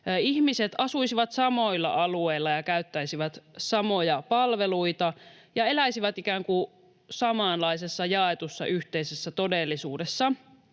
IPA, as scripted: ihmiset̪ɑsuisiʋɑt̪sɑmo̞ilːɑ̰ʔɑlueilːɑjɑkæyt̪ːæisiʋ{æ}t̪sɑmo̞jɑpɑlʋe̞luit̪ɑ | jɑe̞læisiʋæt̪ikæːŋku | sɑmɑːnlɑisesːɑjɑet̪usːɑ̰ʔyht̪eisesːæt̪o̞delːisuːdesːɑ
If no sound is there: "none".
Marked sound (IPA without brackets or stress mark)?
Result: æ